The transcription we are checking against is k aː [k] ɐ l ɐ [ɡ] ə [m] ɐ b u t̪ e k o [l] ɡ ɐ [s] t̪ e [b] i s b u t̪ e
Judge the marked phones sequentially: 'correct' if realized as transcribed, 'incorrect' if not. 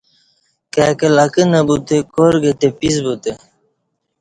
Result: correct, incorrect, incorrect, incorrect, incorrect, incorrect

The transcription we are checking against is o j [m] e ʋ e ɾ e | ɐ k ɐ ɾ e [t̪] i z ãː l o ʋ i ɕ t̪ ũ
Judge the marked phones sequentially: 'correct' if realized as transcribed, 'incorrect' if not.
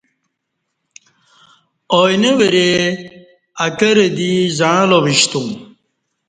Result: incorrect, incorrect

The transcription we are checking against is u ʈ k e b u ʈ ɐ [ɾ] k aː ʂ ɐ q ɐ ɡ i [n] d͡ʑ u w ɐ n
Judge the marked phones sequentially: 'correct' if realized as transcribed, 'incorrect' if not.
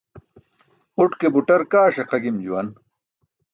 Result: correct, incorrect

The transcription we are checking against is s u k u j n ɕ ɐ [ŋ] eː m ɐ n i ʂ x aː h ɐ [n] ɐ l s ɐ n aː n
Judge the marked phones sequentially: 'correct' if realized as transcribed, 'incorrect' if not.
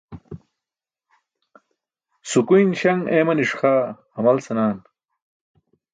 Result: correct, incorrect

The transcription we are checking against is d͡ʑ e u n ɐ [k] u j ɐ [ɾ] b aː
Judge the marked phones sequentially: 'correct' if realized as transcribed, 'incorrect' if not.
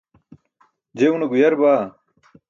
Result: incorrect, correct

